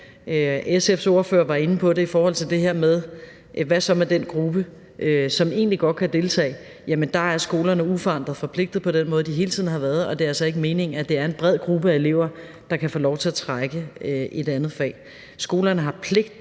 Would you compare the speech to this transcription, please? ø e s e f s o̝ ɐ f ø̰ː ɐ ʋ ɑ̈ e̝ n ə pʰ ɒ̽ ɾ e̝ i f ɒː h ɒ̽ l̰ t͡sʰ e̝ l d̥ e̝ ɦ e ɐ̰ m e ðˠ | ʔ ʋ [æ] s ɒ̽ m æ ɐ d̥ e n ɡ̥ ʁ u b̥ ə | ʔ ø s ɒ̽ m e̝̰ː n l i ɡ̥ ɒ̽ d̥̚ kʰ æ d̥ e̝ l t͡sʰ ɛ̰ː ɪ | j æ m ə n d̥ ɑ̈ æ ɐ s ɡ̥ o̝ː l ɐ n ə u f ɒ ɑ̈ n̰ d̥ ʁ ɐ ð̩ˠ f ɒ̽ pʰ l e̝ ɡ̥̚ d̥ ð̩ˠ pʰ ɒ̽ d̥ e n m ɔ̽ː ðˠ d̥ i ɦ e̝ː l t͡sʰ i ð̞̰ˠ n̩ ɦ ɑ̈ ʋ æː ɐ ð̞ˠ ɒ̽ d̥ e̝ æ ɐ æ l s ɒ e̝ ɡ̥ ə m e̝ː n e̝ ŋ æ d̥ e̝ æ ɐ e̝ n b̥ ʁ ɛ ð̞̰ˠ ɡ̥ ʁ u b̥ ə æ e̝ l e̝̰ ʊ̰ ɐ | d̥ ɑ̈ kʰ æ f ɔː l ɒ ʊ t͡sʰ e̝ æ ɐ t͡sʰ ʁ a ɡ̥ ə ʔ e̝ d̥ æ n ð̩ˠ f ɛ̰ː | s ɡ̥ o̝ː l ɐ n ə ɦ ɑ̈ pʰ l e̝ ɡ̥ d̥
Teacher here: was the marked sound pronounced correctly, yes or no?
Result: yes